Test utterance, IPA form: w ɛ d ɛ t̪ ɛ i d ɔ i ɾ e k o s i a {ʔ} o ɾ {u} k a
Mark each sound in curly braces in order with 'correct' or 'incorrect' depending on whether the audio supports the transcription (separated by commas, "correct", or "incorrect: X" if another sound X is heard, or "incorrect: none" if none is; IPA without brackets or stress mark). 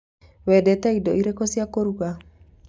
incorrect: k, correct